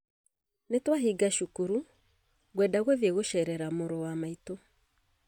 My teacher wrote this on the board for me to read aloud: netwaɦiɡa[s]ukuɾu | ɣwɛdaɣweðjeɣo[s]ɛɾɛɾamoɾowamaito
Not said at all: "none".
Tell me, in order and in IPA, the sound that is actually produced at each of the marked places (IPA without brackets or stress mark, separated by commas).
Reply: ʃ, ʃ